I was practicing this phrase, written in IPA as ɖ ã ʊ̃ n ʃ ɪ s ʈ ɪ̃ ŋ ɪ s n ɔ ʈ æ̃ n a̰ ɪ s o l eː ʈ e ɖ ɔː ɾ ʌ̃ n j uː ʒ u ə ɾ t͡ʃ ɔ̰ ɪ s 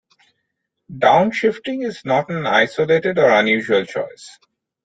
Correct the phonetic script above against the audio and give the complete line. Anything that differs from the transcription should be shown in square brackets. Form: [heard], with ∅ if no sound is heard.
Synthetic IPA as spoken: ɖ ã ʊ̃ n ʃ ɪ [f] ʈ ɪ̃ ŋ ɪ [z] n ɔ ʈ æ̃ n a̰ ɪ s o l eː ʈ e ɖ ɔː ɾ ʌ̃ n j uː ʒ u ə [l] t͡ʃ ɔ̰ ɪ s

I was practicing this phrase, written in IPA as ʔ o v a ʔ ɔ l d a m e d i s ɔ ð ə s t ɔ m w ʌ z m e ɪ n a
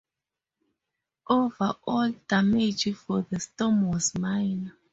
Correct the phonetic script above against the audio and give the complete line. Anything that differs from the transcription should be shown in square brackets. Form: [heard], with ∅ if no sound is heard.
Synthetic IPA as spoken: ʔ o v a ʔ ɔ l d a m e [d͡ʒ] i [f] ɔ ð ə s t ɔ m w [ɔ] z m [a] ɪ n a

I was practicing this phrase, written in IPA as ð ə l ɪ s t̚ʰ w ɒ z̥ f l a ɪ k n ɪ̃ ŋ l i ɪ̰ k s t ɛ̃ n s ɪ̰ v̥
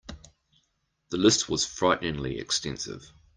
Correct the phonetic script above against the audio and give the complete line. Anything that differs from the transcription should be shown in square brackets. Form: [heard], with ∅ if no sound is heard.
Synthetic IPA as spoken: ð ə l ɪ s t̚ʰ w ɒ z̥ f [ɹ] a ɪ [ʔ] n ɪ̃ ŋ l i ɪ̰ k s t ɛ̃ n s ɪ̰ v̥

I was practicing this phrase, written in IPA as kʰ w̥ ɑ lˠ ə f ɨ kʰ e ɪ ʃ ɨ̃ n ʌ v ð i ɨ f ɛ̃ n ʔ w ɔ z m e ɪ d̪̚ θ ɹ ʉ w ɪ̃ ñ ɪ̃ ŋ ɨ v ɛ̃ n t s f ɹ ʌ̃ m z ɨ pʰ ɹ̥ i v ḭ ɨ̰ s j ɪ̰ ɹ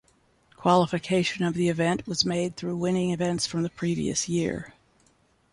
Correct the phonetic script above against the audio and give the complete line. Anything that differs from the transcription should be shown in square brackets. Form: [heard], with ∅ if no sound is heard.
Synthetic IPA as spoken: kʰ w̥ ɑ lˠ ə f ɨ kʰ e ɪ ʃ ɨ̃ n ʌ v ð i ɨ [v] ɛ̃ n ʔ w [ʌ] z m e ɪ d̪̚ θ ɹ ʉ w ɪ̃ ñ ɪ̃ ŋ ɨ v ɛ̃ n t s f ɹ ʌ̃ m [ð] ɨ pʰ ɹ̥ i v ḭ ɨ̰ s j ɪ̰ ɹ

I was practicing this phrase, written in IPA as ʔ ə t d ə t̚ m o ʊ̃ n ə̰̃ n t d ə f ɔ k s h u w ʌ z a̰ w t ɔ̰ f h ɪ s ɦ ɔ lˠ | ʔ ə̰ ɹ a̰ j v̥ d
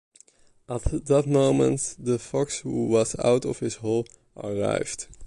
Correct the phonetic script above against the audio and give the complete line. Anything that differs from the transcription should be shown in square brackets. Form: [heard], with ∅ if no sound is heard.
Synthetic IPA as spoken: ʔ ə t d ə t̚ m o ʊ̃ [m] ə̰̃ n t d ə f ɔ k s h u w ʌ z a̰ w t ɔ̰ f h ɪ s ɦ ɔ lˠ | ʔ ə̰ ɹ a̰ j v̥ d

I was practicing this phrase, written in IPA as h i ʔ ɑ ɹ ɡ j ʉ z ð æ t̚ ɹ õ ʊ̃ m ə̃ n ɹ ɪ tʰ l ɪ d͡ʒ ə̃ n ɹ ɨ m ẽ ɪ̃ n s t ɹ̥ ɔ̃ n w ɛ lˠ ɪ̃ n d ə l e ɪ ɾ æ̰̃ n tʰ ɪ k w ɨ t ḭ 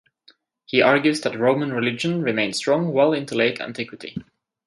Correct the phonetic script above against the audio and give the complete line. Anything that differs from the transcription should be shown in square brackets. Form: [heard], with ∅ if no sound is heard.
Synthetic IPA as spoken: h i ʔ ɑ ɹ ɡ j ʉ z ð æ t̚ ɹ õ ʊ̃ m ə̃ n ɹ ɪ [∅] l ɪ d͡ʒ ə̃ n ɹ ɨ m ẽ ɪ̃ n s t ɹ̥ ɔ̃ [ŋ] w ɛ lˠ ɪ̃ n [t] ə l e ɪ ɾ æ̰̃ n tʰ ɪ k w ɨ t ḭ

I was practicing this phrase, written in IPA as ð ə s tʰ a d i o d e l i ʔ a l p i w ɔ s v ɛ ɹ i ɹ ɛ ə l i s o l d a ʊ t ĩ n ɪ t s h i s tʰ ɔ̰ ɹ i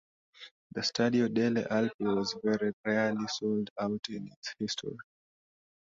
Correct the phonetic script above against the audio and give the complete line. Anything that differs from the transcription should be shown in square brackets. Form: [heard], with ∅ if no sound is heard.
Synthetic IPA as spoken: ð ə s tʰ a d i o d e l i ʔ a l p i w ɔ [z] v ɛ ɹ i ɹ ɛ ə l i s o l d a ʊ t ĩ n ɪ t s h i s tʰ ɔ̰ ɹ i

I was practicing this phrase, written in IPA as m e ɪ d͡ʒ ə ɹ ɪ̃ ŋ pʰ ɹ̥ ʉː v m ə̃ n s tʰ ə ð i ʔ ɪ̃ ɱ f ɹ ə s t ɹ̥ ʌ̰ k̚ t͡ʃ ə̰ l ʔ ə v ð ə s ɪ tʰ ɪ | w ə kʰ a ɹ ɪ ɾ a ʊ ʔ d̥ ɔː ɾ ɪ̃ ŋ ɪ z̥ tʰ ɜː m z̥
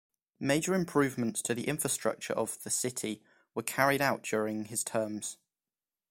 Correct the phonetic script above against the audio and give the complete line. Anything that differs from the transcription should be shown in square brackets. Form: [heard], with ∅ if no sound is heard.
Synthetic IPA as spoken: m e ɪ d͡ʒ ə ɹ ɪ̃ [m] pʰ ɹ̥ ʉː v m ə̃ n s tʰ ə ð i ʔ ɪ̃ ɱ f ɹ ə s t ɹ̥ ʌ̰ k̚ t͡ʃ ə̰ [ɹ] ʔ ə v ð ə s ɪ tʰ ɪ | w ə kʰ a ɹ ɪ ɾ a ʊ ʔ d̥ ɔː [ɹ] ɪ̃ ŋ ɪ z̥ tʰ ɜː m z̥

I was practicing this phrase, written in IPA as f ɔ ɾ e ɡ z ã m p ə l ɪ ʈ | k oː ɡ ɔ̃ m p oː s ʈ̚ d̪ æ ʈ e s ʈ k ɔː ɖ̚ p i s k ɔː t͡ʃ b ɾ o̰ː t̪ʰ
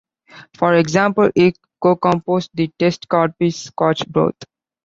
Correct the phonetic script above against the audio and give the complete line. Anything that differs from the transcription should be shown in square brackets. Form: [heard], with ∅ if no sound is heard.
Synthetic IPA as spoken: f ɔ ɾ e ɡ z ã m p ə l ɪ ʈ | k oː [k] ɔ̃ m p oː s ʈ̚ d̪ [i] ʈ e s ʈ k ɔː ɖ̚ p i s k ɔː t͡ʃ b ɾ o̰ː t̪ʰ

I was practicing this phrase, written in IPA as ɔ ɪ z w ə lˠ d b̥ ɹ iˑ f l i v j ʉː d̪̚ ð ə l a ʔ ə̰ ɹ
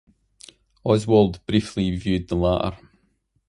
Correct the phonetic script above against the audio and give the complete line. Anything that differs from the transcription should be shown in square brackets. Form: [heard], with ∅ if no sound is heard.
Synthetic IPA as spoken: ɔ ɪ z w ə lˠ d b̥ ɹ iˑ f l i v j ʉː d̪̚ ð ə l a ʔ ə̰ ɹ

